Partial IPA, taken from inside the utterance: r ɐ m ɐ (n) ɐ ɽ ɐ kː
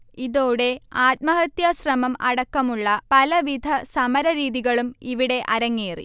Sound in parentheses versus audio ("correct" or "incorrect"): incorrect